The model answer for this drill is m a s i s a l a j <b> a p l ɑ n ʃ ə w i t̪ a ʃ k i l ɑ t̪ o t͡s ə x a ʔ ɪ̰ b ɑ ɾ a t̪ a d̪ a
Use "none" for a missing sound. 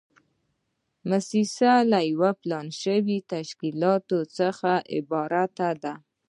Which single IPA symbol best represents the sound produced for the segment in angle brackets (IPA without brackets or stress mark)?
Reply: w